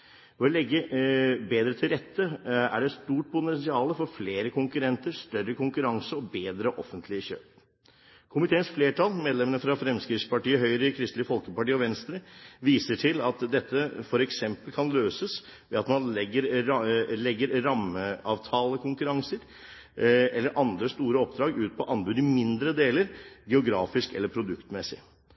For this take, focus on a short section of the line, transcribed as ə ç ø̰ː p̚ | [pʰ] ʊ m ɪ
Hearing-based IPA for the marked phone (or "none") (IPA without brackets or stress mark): kʰ